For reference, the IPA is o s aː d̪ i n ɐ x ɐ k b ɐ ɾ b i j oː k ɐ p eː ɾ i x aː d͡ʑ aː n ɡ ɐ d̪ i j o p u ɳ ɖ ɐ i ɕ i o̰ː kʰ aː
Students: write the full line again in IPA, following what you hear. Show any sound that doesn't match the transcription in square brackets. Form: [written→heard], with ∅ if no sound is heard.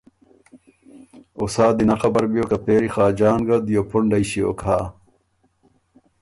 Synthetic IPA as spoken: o s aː d̪ i n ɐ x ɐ [k→∅] b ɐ ɾ b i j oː k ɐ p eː ɾ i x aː d͡ʑ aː n ɡ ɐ d̪ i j o p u ɳ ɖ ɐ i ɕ i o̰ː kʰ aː